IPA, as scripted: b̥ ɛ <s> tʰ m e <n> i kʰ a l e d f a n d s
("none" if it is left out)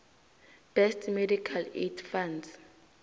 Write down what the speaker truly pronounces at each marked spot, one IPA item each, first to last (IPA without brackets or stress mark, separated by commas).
s, d